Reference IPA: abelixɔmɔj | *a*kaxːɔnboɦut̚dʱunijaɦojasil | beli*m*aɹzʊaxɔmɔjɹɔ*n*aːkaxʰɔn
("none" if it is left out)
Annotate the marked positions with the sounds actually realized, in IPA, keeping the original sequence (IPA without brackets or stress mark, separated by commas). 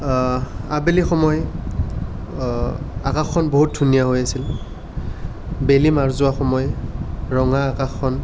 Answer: a, m, ŋ